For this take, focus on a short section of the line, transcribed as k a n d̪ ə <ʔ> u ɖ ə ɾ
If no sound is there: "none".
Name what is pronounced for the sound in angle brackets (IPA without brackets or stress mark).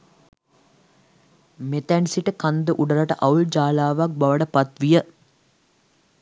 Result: ʔ